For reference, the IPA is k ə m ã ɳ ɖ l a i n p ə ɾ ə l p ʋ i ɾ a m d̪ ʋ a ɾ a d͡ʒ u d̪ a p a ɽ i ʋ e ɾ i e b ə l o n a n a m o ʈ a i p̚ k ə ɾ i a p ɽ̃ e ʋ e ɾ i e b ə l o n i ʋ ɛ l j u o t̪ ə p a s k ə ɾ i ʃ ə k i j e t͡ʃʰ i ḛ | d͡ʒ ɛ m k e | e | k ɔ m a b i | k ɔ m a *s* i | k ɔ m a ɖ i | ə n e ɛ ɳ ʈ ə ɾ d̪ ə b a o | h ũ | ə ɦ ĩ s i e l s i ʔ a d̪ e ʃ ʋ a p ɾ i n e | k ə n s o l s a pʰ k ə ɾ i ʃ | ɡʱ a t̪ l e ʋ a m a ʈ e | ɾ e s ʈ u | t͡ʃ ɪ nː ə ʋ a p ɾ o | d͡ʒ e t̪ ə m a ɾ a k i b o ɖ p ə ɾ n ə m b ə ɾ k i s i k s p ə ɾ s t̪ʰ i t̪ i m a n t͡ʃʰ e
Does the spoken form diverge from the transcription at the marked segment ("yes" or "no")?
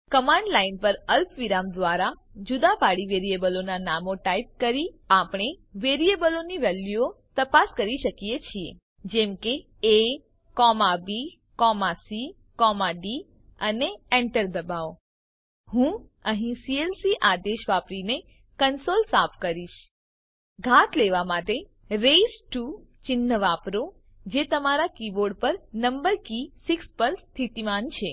no